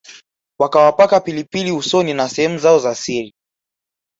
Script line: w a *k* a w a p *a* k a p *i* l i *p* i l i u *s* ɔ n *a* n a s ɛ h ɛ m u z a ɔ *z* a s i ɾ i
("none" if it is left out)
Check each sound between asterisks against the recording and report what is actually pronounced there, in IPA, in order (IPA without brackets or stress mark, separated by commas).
k, a, i, p, s, i, z